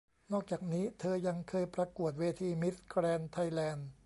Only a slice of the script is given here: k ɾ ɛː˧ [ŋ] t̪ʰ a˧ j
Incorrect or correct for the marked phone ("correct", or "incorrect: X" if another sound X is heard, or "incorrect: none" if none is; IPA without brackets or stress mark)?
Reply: incorrect: n